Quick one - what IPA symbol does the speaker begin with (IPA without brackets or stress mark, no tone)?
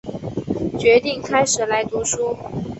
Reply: t͡ɕ